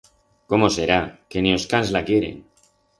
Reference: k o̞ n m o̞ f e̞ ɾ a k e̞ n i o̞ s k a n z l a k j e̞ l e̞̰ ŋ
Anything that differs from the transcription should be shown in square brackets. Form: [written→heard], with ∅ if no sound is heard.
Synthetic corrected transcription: k o̞ [n→∅] m o̞ [f→s] e̞ ɾ a k e̞ n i o̞ s k a n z l a k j e̞ [l→ɾ] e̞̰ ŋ